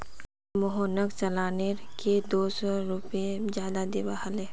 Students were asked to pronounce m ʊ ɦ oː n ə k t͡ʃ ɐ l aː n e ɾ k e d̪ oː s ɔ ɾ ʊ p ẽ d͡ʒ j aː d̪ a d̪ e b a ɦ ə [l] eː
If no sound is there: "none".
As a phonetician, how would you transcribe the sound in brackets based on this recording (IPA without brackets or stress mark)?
l